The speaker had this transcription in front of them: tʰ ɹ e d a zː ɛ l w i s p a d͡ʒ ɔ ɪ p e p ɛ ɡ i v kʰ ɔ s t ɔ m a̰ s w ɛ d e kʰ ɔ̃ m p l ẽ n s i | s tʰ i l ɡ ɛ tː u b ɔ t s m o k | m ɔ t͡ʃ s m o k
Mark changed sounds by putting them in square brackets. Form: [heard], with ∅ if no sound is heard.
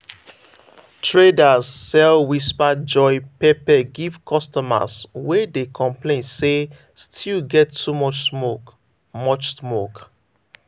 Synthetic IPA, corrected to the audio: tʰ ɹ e d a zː ɛ l w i s p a d͡ʒ ɔ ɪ p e p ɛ ɡ i v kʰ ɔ s t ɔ m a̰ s w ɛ d e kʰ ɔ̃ m p l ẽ n s [e] | s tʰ i l ɡ ɛ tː u [m] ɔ [t͡ʃ] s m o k | m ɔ t͡ʃ s m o k